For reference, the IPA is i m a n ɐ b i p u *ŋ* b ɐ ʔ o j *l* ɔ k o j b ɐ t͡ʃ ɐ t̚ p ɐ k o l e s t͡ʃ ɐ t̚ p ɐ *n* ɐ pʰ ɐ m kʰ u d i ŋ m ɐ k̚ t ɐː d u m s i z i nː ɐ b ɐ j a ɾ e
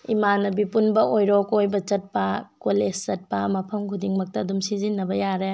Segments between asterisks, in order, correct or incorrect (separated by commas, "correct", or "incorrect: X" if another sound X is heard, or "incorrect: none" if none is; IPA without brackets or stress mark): incorrect: n, incorrect: ɾ, incorrect: m